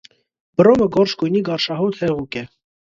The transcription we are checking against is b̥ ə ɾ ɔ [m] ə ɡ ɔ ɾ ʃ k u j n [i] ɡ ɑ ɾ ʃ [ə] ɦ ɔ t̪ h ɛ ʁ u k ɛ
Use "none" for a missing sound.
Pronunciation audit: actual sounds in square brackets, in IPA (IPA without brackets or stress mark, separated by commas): m, i, ɑ